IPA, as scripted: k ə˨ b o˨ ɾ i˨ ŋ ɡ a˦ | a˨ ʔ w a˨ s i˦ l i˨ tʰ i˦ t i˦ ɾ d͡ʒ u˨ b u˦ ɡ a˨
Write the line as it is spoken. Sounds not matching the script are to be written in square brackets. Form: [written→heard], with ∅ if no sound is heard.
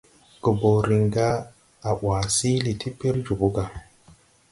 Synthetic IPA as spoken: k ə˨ b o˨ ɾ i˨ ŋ ɡ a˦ | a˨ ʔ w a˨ s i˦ l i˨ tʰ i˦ [t→p] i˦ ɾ d͡ʒ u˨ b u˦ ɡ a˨